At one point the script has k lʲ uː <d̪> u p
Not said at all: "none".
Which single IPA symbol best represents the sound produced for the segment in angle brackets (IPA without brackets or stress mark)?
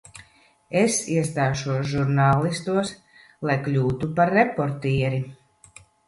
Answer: t̪